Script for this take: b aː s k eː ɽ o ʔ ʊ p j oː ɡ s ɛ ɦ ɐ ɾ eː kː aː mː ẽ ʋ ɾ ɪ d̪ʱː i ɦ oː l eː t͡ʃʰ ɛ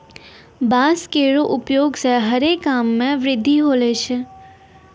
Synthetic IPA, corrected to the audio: b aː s k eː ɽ o ʔ ʊ p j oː ɡ s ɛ ɦ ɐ ɾ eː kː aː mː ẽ ʋ ɾ ɪ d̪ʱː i ɦ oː l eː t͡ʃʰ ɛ